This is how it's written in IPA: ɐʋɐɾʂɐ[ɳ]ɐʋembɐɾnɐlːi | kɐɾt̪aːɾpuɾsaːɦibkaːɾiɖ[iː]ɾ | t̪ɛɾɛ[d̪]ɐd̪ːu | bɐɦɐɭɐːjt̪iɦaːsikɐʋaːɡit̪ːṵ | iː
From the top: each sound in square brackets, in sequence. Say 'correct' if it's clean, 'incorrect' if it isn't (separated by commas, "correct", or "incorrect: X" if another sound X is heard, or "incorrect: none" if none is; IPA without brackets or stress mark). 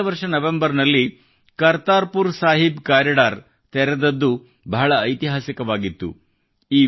incorrect: n, incorrect: aː, correct